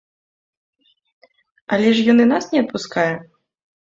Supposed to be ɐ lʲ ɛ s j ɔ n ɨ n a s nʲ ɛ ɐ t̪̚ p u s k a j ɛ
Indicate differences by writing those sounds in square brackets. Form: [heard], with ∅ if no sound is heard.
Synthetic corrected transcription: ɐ lʲ ɛ [ʂ] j ɔ n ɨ n a s nʲ ɛ ɐ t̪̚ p u s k a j ɛ